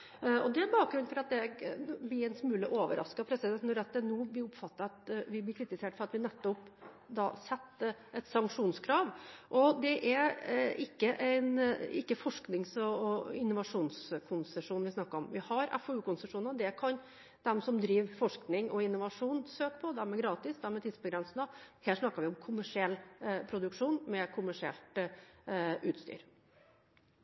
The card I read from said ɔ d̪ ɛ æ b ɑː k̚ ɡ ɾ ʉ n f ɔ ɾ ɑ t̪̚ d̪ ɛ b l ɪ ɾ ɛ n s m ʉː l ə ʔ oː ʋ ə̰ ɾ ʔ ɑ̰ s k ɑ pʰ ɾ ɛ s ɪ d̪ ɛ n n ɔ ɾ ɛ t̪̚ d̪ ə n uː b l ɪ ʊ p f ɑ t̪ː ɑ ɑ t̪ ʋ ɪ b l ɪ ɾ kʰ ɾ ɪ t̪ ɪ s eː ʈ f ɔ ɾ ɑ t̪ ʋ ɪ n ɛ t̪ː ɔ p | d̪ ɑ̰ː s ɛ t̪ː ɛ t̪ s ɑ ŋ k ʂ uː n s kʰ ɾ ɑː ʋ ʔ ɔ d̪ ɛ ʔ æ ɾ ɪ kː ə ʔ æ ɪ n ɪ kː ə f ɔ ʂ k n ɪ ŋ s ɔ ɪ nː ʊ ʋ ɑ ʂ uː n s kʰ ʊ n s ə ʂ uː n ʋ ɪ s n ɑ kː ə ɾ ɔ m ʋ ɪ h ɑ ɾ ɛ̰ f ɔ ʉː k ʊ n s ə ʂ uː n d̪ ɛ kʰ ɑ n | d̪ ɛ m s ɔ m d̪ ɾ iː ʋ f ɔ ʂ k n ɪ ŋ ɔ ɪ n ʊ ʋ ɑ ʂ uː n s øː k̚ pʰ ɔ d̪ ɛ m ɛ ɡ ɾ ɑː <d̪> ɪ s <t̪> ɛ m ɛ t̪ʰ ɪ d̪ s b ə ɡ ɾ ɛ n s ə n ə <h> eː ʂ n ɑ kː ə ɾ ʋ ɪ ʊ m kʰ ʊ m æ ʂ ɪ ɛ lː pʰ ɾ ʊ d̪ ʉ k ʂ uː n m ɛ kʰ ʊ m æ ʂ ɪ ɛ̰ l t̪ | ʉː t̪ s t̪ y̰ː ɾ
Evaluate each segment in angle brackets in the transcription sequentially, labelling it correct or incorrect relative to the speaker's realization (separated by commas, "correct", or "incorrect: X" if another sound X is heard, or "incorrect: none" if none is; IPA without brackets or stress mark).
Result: incorrect: t̪, incorrect: d̪, correct